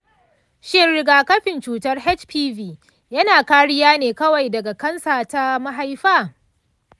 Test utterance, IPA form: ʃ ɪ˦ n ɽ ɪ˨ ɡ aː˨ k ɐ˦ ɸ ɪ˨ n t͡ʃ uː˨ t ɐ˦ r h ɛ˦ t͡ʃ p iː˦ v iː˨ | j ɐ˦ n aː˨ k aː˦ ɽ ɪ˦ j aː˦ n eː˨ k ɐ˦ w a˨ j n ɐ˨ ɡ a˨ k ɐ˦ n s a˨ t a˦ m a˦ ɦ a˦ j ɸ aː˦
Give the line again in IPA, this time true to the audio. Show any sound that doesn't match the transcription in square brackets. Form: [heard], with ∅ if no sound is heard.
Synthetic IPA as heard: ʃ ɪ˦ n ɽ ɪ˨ ɡ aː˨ k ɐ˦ ɸ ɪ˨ n t͡ʃ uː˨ t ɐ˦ r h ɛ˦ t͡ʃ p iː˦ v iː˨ | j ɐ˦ n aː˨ k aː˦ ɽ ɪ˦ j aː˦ n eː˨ k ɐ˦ w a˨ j [d] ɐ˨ ɡ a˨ k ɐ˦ n s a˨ t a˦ m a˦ ɦ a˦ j ɸ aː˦